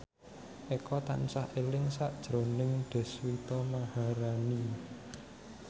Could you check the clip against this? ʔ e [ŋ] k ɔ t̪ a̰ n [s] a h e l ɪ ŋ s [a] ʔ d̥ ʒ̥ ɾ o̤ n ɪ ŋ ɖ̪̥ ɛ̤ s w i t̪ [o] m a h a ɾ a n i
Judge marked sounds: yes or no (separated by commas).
no, yes, yes, no